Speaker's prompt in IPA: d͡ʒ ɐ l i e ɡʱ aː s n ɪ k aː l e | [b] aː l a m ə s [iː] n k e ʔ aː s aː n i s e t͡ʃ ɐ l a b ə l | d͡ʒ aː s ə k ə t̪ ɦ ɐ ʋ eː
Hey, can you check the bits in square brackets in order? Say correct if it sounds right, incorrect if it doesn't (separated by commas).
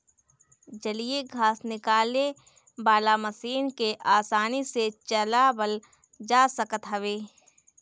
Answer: correct, correct